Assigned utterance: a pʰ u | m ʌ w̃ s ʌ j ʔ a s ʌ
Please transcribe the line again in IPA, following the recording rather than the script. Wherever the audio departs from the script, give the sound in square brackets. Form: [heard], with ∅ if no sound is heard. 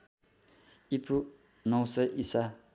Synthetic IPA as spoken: [i] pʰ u | [n] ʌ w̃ s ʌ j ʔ [i] s [a]